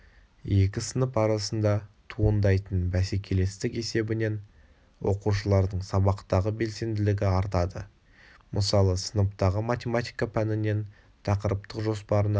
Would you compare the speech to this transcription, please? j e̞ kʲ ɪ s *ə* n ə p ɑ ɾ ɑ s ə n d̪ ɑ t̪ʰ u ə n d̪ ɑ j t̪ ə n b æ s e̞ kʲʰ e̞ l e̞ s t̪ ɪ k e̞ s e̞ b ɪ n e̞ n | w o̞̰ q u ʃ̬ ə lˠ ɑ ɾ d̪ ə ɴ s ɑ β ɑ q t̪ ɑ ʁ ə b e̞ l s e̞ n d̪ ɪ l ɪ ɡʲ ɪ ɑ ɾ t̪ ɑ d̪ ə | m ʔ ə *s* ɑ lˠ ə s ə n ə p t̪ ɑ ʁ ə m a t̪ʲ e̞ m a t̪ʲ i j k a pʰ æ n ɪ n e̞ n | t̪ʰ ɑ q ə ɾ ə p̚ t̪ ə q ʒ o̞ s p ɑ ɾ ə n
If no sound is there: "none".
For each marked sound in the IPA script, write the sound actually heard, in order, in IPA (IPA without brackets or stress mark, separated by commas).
ə, s